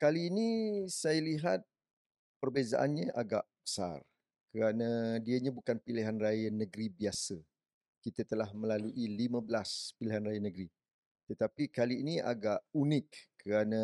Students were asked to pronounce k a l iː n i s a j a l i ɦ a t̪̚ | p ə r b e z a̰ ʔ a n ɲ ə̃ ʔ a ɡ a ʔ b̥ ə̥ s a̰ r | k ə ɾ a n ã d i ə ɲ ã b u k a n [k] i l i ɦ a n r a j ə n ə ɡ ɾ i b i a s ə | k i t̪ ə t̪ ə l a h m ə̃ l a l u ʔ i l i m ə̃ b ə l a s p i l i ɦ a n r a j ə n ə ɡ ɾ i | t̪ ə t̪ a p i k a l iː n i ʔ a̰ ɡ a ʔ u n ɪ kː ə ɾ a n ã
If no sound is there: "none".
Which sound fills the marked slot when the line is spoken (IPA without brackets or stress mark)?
p